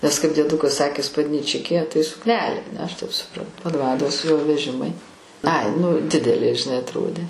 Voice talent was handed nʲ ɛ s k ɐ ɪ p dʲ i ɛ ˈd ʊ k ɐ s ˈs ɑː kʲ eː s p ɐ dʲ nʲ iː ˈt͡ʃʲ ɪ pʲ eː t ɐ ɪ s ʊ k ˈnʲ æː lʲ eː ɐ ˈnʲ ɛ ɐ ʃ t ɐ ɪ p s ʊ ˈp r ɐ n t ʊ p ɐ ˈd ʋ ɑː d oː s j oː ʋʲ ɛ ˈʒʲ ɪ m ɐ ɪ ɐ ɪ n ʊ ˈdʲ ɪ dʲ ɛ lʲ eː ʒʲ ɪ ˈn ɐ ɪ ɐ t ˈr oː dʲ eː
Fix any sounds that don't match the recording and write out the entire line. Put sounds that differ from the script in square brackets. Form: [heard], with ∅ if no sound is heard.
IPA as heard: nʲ ɛ s k ɐ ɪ p dʲ i ɛ ˈd ʊ k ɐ s ˈs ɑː kʲ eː s p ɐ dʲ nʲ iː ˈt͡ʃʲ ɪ [kʲ] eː t ɐ ɪ s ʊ k ˈnʲ æː lʲ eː ɐ ˈnʲ ɛ ɐ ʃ t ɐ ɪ p s ʊ ˈp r ɐ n t ʊ p ɐ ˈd ʋ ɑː d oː s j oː ʋʲ ɛ ˈʒʲ ɪ m ɐ ɪ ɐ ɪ n ʊ ˈdʲ ɪ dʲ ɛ lʲ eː ʒʲ ɪ ˈn ɐ ɪ ɐ t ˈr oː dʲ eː